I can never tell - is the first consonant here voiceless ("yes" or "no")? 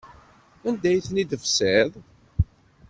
no